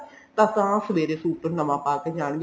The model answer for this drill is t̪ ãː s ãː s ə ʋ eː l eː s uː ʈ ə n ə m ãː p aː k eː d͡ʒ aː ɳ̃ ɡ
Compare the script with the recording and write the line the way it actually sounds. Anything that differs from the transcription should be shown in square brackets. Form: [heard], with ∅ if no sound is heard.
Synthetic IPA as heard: t̪ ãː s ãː s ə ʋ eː [ɾ] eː s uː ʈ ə n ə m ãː p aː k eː d͡ʒ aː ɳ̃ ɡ